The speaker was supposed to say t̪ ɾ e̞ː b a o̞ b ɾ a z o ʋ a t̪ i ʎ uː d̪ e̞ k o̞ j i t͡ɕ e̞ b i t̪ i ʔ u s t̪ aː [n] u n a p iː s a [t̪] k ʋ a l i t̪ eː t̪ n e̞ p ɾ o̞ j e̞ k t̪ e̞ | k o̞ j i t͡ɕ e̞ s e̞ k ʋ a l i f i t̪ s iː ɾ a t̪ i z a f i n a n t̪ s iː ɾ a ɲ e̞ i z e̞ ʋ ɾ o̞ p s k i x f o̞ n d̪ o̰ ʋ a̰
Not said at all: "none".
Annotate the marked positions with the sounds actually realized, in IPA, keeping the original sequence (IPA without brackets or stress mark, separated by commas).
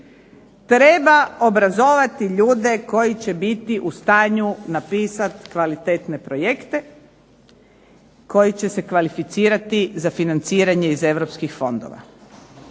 ɲ, t̪